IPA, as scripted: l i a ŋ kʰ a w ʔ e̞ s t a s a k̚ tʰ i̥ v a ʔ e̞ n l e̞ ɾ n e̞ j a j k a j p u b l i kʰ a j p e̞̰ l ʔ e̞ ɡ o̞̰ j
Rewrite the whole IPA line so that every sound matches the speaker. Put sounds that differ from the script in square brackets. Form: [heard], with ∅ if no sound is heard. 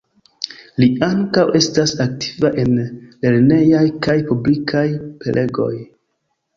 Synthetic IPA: l i a ŋ [k] a w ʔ e̞ s t a s a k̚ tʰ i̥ v a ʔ e̞ n l e̞ ɾ n e̞ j a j k a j p u b l i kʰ a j p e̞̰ l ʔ e̞ ɡ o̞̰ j

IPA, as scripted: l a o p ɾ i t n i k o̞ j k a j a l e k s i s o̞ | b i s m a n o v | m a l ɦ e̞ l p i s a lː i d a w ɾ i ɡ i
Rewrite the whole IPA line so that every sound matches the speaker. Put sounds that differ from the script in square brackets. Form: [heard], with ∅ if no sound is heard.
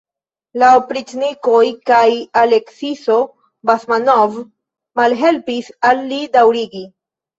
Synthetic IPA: l a o p ɾ i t n i k o̞ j k a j a l e k s i s o̞ | b [a] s m a n o v | m a l ɦ e̞ l p i s a lː i d a w ɾ i ɡ i

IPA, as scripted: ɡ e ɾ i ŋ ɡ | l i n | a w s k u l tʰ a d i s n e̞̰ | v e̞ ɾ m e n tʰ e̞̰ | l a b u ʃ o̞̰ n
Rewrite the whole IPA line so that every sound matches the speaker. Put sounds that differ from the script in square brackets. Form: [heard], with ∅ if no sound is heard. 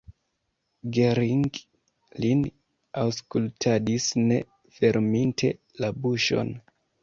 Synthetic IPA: ɡ e ɾ i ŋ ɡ | l i n | a w s k u l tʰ a d i s n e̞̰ | [f] e̞ ɾ m [i] n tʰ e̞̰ | l a b u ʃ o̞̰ n

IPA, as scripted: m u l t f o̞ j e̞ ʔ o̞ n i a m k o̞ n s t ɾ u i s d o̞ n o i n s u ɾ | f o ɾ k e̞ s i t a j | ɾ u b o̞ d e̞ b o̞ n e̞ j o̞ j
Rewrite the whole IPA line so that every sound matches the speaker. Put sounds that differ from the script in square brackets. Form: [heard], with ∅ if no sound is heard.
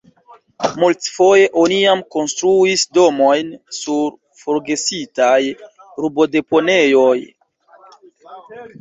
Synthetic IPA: m u l t f o̞ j e̞ ʔ o̞ n i a m k o̞ n s t ɾ u i s d o̞ [m] o [j] n s u ɾ | f o ɾ [ɡ] e̞ s i t a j | ɾ u b o̞ d e̞ [p] o̞ n e̞ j o̞ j

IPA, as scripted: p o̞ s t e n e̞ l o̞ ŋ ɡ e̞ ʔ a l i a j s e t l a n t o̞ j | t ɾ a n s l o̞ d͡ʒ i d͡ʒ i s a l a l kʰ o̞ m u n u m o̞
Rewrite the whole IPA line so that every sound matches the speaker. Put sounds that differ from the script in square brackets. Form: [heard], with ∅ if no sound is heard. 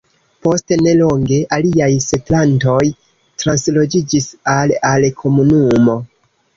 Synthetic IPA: p o̞ s t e n e̞ l o̞ ŋ ɡ e̞ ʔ a l i a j s e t l a n t o̞ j | t ɾ a n s l o̞ d͡ʒ i d͡ʒ i s a l a l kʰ o̞ m u n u m o̞

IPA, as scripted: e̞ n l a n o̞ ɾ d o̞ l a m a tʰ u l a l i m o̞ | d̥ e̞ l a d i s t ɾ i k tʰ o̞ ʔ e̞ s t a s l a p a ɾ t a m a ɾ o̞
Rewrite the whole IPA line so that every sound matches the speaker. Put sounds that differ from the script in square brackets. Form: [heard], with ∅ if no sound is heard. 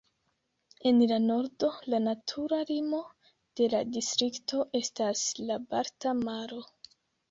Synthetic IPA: e̞ n l a n o̞ ɾ d o̞ l a [n] a tʰ u [ɾ] a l i m o̞ | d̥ e̞ l a d i s t ɾ i k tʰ o̞ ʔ e̞ s t a s l a [b] a ɾ t a m a ɾ o̞

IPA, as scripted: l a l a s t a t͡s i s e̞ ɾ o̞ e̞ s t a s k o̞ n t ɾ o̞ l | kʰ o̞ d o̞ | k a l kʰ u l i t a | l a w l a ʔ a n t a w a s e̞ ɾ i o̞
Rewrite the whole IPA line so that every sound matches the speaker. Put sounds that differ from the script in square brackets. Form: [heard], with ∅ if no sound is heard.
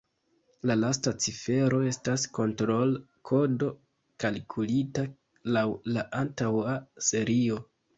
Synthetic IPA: l a l a s t a t͡s i [f] e̞ ɾ o̞ e̞ s t a s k o̞ n t ɾ o̞ l | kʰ o̞ d o̞ | k a l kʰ u l i t a | l a w l a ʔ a n t a w a s e̞ ɾ i o̞

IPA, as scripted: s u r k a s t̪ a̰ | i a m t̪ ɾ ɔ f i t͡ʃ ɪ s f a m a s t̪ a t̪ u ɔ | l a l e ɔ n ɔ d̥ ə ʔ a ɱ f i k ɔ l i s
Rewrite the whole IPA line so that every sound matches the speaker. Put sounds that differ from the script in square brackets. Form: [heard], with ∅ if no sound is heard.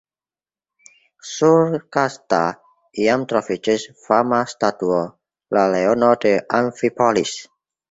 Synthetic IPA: s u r k a s t̪ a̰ | i a m t̪ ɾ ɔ f i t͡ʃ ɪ s f a m a s t̪ a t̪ u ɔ | l a l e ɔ n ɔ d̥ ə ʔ a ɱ f i [p] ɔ l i s

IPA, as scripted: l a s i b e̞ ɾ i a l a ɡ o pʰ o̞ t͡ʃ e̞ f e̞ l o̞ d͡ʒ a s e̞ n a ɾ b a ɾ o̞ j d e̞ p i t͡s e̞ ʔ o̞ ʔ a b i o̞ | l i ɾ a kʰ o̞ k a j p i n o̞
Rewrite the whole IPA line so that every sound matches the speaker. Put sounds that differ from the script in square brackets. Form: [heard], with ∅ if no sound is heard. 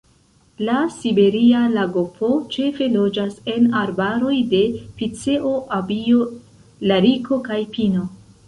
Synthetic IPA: l a s i b e̞ ɾ i a l a ɡ o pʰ o̞ t͡ʃ e̞ f e̞ l o̞ d͡ʒ a s e̞ n a ɾ b a ɾ o̞ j d e̞ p i t͡s e̞ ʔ o̞ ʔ a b i o̞ | l [a] ɾ [i] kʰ o̞ k a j p i n o̞

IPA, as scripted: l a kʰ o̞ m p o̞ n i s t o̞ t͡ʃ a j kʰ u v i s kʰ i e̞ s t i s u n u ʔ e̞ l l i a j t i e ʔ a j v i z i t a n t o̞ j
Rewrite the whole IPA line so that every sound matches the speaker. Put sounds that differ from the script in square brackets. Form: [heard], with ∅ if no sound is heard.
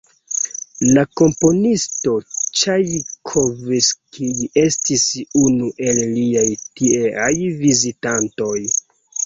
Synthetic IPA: l a [k] o̞ m p o̞ n i s t o̞ t͡ʃ a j kʰ [o] v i s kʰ i e̞ s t i s u n u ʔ e̞ l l i a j t i e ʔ a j v i z i t a n t o̞ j

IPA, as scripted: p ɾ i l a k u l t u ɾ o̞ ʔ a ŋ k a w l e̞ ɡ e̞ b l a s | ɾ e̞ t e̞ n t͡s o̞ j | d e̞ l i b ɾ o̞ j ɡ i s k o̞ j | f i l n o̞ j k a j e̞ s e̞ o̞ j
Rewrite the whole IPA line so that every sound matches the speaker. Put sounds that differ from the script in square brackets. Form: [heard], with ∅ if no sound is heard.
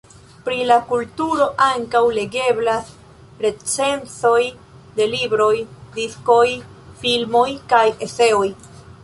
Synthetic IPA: p ɾ i l a k u l t u ɾ o̞ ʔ a ŋ k a w l e̞ ɡ e̞ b l a s | ɾ e̞ [t͡s] e̞ n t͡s o̞ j | d e̞ l i b ɾ o̞ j [d] i s k o̞ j | f i l [m] o̞ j k a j e̞ s e̞ o̞ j

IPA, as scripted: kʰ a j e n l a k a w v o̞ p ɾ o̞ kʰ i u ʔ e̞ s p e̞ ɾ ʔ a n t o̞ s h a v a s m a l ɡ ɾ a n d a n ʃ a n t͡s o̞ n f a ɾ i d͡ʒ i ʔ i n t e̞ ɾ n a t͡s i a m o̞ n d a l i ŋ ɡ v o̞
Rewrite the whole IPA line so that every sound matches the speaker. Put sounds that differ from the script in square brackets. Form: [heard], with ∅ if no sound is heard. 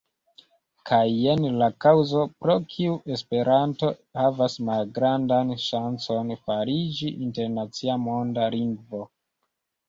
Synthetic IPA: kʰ a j e n l a k a w [z] o̞ p ɾ o̞ kʰ i u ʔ e̞ s p e̞ ɾ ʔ a n t o̞ [∅] h a v a s m a l ɡ ɾ a n d a n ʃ a n t͡s o̞ n f a ɾ i d͡ʒ i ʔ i n t e̞ ɾ n a t͡s i a m o̞ n d a l i ŋ ɡ v o̞

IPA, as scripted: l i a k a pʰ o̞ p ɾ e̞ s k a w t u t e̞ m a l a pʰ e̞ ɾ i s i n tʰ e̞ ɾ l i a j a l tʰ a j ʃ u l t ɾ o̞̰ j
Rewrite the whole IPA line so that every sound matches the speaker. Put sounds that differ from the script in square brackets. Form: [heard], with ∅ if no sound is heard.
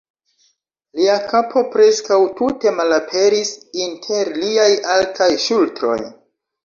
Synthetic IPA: l i a k a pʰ o̞ p ɾ e̞ s k a w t u t e̞ m a l a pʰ e̞ ɾ i s i n tʰ e̞ ɾ l i a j a l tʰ a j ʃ u l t ɾ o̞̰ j

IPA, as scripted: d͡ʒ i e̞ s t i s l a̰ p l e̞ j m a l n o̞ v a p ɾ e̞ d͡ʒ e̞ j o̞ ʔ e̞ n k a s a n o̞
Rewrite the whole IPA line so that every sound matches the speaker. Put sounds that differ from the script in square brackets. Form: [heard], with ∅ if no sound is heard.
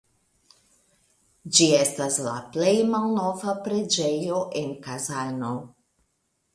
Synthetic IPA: d͡ʒ i e̞ s t [a] s l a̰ p l e̞ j m a l n o̞ v a p ɾ e̞ d͡ʒ e̞ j o̞ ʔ e̞ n k a [z] a n o̞

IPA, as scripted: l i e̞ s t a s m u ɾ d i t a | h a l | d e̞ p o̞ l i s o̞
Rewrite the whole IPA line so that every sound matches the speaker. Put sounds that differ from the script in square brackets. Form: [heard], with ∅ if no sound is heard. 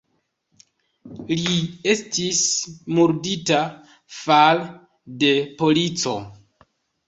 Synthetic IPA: l i e̞ s t [i] s m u ɾ d i t a | [f] a l | d e̞ p o̞ l i [t͡s] o̞

